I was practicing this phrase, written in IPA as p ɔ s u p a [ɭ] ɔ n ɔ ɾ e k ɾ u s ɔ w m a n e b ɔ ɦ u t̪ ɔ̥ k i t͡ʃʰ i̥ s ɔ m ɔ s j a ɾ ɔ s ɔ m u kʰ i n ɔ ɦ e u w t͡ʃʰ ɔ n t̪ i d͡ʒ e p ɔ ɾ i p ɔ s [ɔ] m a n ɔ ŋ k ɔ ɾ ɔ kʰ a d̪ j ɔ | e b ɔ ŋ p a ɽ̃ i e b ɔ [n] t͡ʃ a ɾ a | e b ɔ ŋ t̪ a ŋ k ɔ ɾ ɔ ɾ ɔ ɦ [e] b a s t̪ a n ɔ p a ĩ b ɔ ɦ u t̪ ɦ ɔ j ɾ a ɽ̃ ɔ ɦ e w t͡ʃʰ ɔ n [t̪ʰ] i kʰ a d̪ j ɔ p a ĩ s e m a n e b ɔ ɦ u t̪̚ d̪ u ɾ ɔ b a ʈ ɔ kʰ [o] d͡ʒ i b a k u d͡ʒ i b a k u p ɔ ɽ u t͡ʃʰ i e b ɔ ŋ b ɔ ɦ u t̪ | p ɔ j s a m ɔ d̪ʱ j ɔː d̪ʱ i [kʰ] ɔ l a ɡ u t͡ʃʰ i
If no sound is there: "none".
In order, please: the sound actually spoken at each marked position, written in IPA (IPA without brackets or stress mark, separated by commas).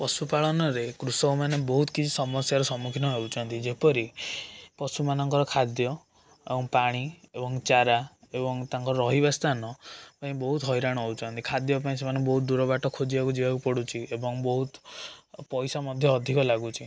ɭ, u, ŋ, i, t̪, o, k